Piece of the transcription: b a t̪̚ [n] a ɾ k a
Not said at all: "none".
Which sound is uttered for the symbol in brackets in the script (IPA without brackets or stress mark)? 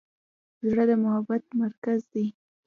m